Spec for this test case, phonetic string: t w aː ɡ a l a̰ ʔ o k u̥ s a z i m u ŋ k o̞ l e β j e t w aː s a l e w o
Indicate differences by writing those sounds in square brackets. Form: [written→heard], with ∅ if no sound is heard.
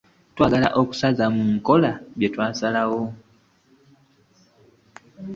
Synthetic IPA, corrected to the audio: t w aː ɡ a l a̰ ʔ o k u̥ s a z [i→a] m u ŋ k o̞ l [e→a] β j e t w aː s a l [e→a] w o